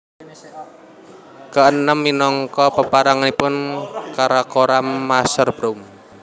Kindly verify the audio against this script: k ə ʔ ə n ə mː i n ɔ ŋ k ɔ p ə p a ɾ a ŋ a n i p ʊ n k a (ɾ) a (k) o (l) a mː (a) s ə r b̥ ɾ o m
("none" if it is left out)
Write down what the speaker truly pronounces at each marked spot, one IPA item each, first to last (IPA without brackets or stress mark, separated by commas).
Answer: ɾ, k, ɾ, a